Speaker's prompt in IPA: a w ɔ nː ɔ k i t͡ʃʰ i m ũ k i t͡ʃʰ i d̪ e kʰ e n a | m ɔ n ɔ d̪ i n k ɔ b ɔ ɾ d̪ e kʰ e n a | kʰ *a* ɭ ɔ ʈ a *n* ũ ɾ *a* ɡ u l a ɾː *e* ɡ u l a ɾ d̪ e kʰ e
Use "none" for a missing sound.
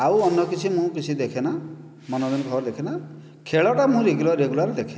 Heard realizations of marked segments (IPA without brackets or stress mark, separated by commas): e, m, e, e